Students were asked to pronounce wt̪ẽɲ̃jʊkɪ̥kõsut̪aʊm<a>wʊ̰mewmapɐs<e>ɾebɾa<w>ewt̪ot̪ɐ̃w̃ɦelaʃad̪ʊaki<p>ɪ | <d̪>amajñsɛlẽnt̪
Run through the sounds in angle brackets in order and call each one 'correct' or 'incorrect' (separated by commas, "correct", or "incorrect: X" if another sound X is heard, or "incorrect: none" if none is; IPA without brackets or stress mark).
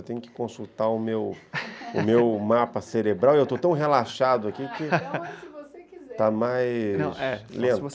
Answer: incorrect: e, correct, correct, incorrect: k, incorrect: t̪